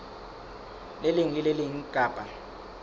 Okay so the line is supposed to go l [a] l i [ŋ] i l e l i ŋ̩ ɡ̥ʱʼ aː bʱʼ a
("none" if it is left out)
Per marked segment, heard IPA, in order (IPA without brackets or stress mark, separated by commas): e, ŋ